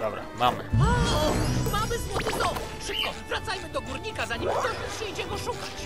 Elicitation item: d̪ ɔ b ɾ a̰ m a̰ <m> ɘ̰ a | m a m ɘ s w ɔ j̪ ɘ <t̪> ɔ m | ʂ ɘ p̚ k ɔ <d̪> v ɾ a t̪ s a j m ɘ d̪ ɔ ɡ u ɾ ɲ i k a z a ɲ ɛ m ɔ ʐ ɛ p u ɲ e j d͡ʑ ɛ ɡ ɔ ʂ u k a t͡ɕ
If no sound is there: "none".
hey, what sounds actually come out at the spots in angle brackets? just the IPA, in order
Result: m, d̪, none

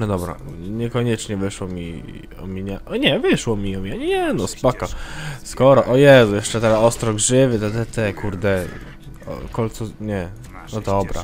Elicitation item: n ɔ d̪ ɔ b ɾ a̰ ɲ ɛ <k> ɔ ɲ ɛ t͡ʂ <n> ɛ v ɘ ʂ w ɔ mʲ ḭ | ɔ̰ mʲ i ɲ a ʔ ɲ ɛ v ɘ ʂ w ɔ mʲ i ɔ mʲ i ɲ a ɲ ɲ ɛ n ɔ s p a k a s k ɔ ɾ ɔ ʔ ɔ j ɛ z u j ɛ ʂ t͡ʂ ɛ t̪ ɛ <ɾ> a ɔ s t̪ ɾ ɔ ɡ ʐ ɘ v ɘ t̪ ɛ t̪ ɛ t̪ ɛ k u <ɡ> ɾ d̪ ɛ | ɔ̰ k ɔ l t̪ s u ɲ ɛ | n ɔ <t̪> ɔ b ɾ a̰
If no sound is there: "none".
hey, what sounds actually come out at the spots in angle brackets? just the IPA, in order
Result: k, ɲ, ɾ, none, d̪

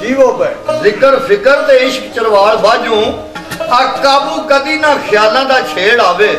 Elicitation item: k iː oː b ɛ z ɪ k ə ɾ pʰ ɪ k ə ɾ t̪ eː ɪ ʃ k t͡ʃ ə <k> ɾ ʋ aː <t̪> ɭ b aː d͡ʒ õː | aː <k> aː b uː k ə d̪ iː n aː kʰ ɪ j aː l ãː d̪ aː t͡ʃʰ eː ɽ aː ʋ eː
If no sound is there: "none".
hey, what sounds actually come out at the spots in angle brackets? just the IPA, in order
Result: none, none, k

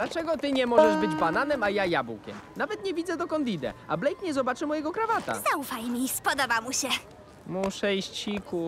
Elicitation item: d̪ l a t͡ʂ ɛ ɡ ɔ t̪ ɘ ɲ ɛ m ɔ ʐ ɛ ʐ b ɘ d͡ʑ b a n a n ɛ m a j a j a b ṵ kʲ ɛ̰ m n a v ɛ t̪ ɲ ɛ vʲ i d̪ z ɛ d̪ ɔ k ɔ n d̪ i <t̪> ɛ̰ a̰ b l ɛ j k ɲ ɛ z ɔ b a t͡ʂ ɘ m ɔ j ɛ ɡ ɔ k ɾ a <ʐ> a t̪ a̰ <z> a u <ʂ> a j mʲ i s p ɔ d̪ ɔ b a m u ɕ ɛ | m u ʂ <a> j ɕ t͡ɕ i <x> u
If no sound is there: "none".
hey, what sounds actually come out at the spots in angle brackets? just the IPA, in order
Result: d̪, v, z, f, ɛ, k

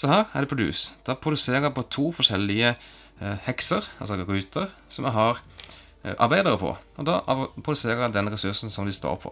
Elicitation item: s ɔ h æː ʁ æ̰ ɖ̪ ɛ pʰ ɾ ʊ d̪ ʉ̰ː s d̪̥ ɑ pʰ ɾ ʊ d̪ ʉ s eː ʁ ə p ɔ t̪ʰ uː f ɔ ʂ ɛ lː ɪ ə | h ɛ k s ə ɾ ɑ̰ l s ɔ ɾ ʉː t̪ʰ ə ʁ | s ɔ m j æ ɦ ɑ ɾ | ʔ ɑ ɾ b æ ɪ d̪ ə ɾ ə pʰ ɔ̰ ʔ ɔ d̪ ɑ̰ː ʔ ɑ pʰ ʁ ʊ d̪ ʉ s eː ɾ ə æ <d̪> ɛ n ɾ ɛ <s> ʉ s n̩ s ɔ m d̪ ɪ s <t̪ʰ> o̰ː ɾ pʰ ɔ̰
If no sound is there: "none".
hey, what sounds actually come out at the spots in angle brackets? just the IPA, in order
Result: d̪, s, t̪

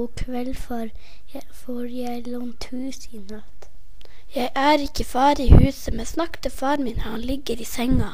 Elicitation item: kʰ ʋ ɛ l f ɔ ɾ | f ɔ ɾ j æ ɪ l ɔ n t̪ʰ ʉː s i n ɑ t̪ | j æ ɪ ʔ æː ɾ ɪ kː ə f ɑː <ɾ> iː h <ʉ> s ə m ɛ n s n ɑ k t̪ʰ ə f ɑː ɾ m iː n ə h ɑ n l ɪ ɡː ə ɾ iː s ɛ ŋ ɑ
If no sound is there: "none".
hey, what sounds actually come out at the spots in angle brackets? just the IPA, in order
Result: ɾ, ʉː

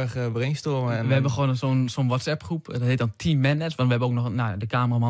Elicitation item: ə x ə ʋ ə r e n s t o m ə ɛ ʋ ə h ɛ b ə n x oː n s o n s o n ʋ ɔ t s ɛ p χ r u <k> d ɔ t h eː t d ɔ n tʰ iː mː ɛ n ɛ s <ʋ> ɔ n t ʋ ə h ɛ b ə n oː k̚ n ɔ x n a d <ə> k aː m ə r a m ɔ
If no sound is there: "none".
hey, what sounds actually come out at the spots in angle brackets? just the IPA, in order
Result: p, ʋ, ə

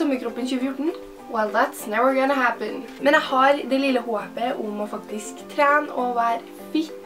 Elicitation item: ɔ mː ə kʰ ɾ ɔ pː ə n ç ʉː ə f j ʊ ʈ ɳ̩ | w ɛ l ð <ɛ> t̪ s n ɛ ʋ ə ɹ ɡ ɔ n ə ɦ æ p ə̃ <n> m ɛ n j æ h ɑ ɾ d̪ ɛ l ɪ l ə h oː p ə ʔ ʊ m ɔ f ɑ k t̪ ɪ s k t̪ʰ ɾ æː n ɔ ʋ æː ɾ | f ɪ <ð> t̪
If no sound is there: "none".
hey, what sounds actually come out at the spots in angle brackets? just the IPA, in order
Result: æ, n, none

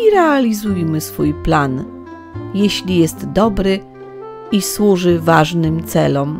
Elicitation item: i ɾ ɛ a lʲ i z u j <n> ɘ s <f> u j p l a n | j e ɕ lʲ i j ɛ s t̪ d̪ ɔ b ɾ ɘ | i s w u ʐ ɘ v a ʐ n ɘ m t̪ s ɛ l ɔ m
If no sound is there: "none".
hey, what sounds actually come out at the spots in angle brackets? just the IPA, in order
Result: m, f

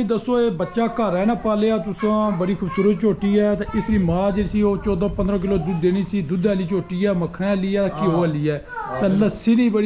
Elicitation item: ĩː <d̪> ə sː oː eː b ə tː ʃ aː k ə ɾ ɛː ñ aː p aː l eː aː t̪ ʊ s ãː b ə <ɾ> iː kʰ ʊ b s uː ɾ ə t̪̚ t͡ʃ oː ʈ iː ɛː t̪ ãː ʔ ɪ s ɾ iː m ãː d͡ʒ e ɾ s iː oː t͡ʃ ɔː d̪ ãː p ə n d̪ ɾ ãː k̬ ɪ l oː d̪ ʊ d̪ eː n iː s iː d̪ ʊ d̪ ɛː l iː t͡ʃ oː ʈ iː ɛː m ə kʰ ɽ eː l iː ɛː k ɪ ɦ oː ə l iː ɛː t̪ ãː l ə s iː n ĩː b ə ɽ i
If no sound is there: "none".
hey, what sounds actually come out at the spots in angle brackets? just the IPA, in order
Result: d̪, ɽ

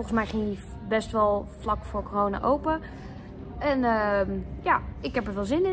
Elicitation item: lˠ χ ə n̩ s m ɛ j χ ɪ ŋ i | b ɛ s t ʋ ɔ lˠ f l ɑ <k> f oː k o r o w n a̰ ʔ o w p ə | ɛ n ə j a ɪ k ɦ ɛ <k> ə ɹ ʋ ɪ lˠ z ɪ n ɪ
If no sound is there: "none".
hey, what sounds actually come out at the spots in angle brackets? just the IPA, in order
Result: k, p

